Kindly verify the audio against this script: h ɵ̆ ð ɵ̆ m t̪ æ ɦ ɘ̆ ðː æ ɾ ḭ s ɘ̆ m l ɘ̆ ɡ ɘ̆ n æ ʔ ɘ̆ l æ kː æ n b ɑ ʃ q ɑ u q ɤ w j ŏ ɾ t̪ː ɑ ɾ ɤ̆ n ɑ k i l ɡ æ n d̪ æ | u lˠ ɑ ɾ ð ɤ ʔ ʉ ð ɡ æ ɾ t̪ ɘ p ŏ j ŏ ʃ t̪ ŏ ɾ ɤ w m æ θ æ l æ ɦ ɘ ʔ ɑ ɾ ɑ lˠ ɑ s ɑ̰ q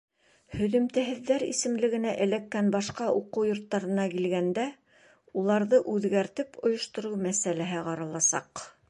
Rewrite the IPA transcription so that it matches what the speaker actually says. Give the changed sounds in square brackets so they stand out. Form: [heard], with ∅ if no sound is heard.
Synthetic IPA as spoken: h ɵ̆ ð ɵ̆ m t̪ æ ɦ ɘ̆ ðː æ ɾ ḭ s ɘ̆ m l ɘ̆ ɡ ɘ̆ n æ ʔ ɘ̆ l æ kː æ n b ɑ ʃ q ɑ u q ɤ w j ŏ ɾ t̪ː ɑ ɾ ɤ̆ n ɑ k i l ɡ æ n d̪ æ | u lˠ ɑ ɾ ð ɤ ʔ ʉ ð ɡ æ ɾ t̪ ɘ p ŏ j ŏ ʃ t̪ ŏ ɾ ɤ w m æ [s] æ l æ ɦ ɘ [q] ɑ ɾ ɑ lˠ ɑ s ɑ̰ q

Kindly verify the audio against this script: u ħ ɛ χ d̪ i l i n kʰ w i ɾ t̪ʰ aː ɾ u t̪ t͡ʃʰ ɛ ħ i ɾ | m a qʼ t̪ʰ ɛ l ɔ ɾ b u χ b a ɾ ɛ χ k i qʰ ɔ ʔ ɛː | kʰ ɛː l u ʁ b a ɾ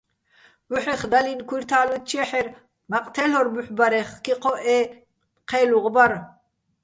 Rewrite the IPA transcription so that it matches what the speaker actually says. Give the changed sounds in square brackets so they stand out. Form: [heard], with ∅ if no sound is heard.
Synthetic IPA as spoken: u ħ ɛ χ d̪ [a] l i n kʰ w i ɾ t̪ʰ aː [l] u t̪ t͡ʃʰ ɛ ħ [ɛ] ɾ | m a qʼ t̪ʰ ɛ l ɔ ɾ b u [ħ] b a ɾ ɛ χ k i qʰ ɔ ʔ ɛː | [qʰ] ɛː l u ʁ b a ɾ

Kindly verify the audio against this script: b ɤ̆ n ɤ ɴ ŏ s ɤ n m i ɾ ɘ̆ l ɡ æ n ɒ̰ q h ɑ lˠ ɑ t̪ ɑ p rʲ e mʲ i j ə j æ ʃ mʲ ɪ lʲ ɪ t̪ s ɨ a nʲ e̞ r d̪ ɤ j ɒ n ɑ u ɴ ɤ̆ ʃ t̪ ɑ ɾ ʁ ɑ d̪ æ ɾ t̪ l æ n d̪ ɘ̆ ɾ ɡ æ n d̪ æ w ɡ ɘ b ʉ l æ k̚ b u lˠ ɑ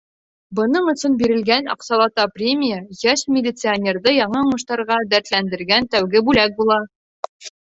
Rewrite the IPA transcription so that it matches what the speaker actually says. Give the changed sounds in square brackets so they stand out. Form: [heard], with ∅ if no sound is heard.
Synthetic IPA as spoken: b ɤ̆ n ɤ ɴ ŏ s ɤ n [b] i ɾ ɘ̆ l ɡ æ n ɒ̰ q [s] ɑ lˠ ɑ t̪ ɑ p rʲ e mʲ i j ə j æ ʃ mʲ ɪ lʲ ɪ t̪ s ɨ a nʲ e̞ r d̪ ɤ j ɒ [ɴ] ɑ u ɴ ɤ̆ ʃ t̪ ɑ ɾ ʁ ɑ d̪ æ ɾ t̪ l æ n d̪ ɘ̆ ɾ ɡ æ n [t̪] æ w ɡ ɘ b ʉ l æ k̚ b u lˠ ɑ

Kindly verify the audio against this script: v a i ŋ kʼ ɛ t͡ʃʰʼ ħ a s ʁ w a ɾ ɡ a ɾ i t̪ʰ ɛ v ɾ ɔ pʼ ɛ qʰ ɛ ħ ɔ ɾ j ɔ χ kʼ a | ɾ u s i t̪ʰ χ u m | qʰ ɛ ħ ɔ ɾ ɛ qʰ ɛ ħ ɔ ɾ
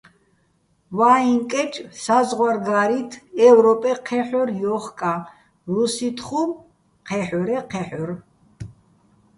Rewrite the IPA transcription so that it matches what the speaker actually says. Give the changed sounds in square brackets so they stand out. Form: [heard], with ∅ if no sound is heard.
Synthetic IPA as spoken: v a i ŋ kʼ ɛ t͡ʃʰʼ [s] a [z] ʁ w a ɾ ɡ a ɾ i t̪ʰ ɛ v ɾ ɔ pʼ ɛ qʰ ɛ ħ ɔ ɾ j ɔ χ kʼ a | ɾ u s i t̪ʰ χ u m | qʰ ɛ ħ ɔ ɾ ɛ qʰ ɛ ħ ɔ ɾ

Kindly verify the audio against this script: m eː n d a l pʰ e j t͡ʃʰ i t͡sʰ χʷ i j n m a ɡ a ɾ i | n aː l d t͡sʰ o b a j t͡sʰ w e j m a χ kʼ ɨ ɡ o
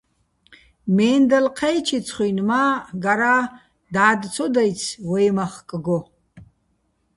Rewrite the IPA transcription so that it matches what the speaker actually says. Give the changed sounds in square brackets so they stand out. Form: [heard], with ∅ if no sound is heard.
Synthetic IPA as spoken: m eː n d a l [qʰ] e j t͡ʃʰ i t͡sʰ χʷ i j n m a ɡ a ɾ [a] | [d] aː [∅] d t͡sʰ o [d] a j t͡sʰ w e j m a χ kʼ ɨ ɡ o

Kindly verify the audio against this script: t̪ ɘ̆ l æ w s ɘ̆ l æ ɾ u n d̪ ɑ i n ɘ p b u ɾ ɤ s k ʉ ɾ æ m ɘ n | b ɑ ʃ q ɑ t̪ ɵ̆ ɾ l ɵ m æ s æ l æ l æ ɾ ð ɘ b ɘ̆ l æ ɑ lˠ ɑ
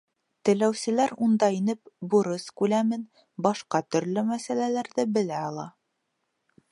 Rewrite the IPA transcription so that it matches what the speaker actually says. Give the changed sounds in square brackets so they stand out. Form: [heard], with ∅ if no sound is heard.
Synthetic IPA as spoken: t̪ ɘ̆ l æ w s ɘ̆ l æ ɾ u n d̪ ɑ i n ɘ p b u ɾ ɤ s k ʉ [l] æ m ɘ n | b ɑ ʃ q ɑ t̪ ɵ̆ ɾ l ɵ m æ s æ l æ l æ ɾ ð ɘ b ɘ̆ l æ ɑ lˠ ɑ

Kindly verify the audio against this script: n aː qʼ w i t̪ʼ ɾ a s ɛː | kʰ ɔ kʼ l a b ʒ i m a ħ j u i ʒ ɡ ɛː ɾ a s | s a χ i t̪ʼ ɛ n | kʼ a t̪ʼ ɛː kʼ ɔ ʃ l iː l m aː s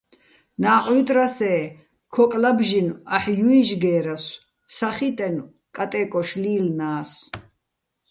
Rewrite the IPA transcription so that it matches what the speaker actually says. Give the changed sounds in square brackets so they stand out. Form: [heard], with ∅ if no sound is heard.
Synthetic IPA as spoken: n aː qʼ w i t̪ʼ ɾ a s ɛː | kʰ ɔ kʼ l a b ʒ i [n] a ħ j u i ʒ ɡ ɛː ɾ a s | s a χ i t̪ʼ ɛ n | kʼ a t̪ʼ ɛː kʼ ɔ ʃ l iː l [n] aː s

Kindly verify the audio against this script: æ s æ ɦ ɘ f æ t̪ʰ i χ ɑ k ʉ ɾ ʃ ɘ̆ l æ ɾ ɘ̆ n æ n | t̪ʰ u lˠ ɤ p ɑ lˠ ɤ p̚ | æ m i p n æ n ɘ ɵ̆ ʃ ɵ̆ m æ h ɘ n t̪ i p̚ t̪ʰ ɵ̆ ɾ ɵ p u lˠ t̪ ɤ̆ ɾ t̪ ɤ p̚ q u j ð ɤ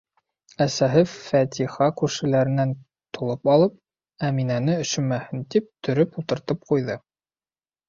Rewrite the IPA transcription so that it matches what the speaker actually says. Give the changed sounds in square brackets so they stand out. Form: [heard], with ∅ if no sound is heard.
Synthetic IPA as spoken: æ s æ ɦ ɘ f æ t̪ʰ i χ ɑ k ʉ ɾ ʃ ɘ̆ l æ ɾ ɘ̆ n æ n | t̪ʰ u lˠ ɤ p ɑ lˠ ɤ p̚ | æ m i [∅] n æ n ɘ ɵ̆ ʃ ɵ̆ m æ h ɘ n t̪ i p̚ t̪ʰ ɵ̆ ɾ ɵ p u lˠ t̪ ɤ̆ ɾ t̪ ɤ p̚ q u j ð ɤ

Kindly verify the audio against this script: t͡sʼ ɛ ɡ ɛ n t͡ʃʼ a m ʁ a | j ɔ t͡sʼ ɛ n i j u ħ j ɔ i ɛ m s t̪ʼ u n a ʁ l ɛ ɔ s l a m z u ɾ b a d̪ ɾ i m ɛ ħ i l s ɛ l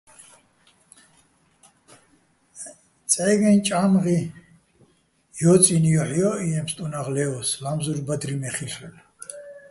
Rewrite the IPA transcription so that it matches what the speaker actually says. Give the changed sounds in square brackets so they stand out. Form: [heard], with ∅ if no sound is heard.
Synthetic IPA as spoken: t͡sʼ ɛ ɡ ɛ n t͡ʃʼ a m ʁ [i] | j ɔ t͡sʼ [i] n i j [ɔ] ħ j ɔ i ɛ m s t̪ʼ u n a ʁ l ɛ ɔ s l a m z u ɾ b a d̪ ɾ i m ɛ [χ] i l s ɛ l

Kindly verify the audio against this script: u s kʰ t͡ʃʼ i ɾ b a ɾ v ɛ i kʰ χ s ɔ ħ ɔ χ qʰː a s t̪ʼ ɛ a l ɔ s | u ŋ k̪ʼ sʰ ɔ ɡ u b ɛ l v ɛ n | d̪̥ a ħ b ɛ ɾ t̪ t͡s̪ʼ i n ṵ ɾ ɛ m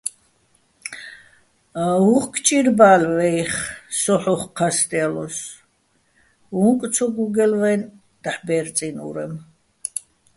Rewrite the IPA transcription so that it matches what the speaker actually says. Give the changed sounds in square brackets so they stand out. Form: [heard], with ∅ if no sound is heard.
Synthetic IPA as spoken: u [χ] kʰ t͡ʃʼ i ɾ b a [l] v ɛ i [∅] χ s ɔ ħ ɔ χ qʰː a s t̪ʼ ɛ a l ɔ s | u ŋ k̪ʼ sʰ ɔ ɡ u [ɡ] ɛ l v ɛ n | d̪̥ a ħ b ɛ ɾ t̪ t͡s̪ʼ i n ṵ ɾ ɛ m

